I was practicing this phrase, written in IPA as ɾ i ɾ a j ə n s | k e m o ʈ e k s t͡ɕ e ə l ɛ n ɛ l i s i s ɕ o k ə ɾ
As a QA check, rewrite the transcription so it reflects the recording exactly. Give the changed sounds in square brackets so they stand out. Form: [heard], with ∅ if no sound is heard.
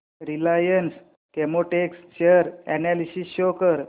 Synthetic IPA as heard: ɾ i [l] a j ə n s | k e m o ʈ e k s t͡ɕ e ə [ɾ] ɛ n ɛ l i s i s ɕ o k ə ɾ